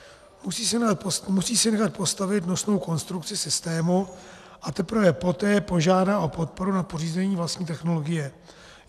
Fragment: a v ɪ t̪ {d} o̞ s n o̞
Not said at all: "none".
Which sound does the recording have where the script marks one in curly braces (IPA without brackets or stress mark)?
n